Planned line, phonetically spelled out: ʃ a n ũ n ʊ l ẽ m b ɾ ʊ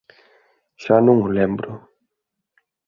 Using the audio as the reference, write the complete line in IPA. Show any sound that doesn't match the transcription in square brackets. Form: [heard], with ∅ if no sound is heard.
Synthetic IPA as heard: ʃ a n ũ [ŋ] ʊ l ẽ m b ɾ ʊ

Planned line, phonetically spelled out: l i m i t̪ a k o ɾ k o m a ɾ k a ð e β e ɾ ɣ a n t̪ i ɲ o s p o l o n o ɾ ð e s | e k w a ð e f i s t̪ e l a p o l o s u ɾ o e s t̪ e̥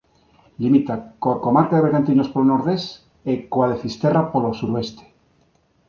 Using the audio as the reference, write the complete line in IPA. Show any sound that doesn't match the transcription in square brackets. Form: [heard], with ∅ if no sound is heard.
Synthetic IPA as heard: l i m i t̪ a k o ɾ k o m a ɾ k a ð e β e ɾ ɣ a n t̪ i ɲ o s p o l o n o ɾ ð e s | e k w a ð e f i s t̪ e [r] a p o l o s u ɾ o e s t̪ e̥

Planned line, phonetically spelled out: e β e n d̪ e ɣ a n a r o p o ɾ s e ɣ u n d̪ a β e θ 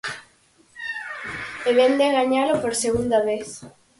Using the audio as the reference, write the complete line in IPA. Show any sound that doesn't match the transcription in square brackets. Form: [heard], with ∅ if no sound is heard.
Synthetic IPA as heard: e β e n d̪ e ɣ a [ɲ] a [l] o p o ɾ s e ɣ u n d̪ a β e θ

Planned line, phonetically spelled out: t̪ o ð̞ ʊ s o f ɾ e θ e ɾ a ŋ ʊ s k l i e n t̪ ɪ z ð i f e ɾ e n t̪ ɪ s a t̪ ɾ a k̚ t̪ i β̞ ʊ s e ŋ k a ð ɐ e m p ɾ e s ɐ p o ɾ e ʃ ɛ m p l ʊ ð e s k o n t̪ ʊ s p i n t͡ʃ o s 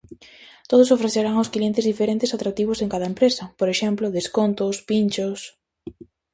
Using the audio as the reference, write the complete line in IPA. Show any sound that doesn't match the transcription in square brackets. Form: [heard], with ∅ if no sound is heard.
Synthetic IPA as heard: t̪ o ð̞ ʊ s o f ɾ e θ e ɾ a ŋ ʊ s k l i e n t̪ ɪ z ð i f e ɾ e n t̪ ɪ s a t̪ ɾ a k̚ t̪ i β̞ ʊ s e ŋ k a ð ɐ e m p ɾ e s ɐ p o ɾ e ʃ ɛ m p l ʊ ð e s k o n t̪ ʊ s p i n t͡ʃ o s

